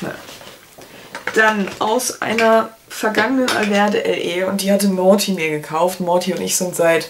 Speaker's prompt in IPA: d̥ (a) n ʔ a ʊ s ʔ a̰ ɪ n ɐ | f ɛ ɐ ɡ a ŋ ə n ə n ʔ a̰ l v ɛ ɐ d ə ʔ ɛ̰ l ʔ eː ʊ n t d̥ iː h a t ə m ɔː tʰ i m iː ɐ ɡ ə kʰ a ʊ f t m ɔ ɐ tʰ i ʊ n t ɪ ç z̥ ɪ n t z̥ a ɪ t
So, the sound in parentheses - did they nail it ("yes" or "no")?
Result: yes